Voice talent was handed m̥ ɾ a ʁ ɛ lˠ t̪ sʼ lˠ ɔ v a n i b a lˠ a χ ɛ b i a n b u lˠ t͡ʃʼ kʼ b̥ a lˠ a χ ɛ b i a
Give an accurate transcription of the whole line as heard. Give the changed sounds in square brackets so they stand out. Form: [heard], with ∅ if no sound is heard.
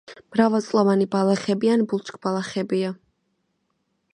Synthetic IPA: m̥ ɾ a [v] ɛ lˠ t̪ sʼ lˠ ɔ v a n i b a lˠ a χ ɛ b i a n b u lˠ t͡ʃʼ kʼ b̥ a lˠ a χ ɛ b i a